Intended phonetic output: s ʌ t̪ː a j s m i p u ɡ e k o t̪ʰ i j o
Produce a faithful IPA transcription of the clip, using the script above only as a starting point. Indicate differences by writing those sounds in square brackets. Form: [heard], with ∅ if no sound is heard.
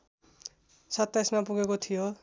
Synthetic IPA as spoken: s ʌ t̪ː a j s m [a] p u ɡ e k o t̪ʰ i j o

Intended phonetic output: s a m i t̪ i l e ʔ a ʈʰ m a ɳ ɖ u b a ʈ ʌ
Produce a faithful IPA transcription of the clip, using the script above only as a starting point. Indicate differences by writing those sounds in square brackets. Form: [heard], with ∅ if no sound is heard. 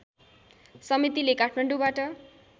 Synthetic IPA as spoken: s [ʌ] m i t̪ i l e [k] a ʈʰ m a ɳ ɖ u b a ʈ ʌ

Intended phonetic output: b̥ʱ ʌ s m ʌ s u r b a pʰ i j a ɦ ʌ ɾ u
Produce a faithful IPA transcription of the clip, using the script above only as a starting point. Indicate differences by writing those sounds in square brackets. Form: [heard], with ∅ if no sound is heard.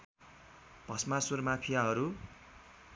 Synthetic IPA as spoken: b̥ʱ ʌ s m [a] s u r [m] a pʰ i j a ɦ ʌ ɾ u

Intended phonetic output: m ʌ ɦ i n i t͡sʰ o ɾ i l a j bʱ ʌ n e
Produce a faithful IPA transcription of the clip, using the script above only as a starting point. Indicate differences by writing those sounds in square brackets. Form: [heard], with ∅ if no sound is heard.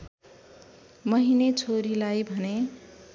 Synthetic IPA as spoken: m ʌ ɦ i n [e] t͡sʰ o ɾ i l a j bʱ ʌ n e

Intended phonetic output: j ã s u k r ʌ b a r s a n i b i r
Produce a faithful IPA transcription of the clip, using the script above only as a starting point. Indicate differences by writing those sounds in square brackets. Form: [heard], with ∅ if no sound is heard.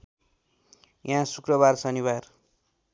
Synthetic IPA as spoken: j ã s u k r ʌ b a r s [ʌ] n i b [a] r

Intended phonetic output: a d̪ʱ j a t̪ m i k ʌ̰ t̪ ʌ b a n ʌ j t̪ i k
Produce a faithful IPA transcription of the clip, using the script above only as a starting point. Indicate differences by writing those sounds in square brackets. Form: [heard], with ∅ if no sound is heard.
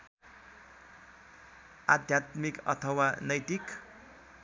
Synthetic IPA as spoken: a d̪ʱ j a t̪ m i k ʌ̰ [t̪ʰ] ʌ [w] a n ʌ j t̪ i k

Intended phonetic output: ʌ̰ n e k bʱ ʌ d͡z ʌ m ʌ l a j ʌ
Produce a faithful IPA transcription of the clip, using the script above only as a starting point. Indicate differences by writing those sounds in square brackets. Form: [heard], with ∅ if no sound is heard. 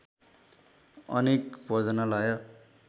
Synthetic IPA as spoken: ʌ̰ n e k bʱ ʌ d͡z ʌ [n] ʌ l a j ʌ

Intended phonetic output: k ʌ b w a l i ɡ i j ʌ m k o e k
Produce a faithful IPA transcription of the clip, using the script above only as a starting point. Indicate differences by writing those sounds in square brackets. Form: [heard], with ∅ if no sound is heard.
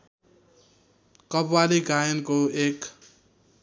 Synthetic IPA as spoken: k ʌ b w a l i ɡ [a] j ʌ [n] k o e k

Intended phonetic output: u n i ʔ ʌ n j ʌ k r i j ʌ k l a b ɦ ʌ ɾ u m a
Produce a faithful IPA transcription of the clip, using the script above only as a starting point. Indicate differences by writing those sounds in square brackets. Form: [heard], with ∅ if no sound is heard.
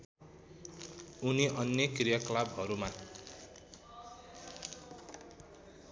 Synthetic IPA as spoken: u n i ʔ ʌ n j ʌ k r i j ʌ k l a b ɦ ʌ ɾ u m a

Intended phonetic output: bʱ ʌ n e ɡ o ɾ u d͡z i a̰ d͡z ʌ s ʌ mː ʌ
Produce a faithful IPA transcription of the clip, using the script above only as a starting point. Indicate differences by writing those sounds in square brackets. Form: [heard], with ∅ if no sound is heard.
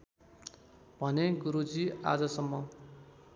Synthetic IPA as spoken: bʱ ʌ n e ɡ [u] ɾ u d͡z i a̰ d͡z ʌ s ʌ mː ʌ

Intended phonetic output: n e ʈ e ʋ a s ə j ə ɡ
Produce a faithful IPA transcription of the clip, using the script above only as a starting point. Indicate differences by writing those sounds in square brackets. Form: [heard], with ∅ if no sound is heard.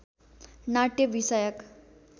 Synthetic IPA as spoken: n [a] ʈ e ʋ [i] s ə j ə [k]

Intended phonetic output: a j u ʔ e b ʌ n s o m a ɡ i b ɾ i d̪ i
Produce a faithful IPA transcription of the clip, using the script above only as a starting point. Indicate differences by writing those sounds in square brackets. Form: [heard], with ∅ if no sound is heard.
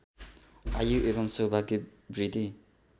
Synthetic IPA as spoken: a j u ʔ e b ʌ [m] s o [b] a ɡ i b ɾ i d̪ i

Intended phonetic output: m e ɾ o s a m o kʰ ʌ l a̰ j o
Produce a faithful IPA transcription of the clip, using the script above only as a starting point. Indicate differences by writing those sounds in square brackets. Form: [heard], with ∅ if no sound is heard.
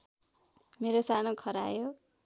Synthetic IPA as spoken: m e ɾ o s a [n] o kʰ ʌ [ɾ] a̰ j o

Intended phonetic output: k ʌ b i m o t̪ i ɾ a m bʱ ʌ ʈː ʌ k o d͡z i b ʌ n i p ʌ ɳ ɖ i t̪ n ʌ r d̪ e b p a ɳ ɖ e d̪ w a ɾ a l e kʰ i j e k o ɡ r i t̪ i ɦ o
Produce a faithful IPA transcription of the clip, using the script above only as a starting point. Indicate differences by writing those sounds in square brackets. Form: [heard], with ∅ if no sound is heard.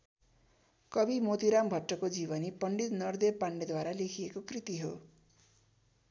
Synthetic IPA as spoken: k ʌ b i m o t̪ i ɾ a m bʱ ʌ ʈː ʌ k o d͡z i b ʌ n i p ʌ ɳ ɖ i t̪ n ʌ r d̪ e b p a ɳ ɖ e d̪ w a ɾ a l e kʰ i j e k o [k] r i t̪ i ɦ o

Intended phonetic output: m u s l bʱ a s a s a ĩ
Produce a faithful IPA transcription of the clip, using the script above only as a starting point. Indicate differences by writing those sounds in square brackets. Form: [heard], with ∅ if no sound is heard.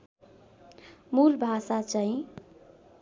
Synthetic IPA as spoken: m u [∅] l bʱ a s a [t͡s] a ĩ

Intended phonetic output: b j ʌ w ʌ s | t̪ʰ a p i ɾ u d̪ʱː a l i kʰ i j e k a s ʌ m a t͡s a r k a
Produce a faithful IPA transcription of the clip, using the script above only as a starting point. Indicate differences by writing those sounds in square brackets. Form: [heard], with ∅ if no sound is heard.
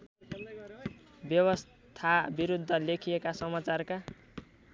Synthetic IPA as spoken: b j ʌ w ʌ s | t̪ʰ a [b] i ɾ u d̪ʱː [ʌ] l [e] kʰ i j e k a s ʌ m a t͡s a r k a

